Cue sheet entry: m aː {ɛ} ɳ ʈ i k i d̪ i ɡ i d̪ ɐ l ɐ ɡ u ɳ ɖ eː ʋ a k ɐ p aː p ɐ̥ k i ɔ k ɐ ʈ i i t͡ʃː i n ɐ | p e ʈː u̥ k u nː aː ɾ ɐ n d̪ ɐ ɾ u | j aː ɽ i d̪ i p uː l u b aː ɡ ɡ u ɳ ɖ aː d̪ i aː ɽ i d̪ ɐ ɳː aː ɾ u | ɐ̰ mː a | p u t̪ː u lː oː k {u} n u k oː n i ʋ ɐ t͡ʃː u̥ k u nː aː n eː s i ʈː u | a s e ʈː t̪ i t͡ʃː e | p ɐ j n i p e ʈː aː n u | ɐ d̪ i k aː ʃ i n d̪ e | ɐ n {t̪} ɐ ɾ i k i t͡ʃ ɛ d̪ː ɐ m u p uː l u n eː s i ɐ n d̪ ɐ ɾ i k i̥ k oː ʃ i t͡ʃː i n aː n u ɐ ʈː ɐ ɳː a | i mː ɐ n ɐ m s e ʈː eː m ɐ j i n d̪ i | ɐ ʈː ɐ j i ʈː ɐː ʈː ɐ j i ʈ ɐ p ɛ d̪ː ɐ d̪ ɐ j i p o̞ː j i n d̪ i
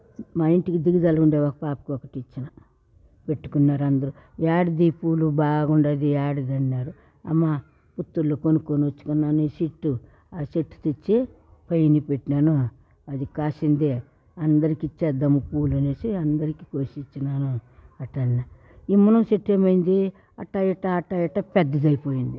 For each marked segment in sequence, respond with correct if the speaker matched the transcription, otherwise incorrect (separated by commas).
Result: incorrect, incorrect, incorrect